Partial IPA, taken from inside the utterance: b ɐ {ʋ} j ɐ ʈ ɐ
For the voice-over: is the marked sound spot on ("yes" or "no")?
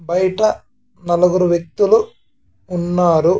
no